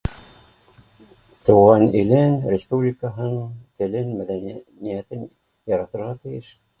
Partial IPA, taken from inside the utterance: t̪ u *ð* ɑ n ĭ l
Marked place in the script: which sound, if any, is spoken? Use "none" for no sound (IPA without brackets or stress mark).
ʁ